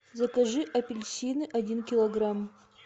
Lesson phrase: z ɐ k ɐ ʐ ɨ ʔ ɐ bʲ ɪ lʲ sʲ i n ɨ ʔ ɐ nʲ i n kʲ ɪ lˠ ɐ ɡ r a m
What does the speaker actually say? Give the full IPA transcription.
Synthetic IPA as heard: z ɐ k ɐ ʐ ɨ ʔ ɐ pʲ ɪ lʲ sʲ i n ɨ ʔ ɐ dʲ i n kʲ ɪ lˠ ɐ ɡ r a m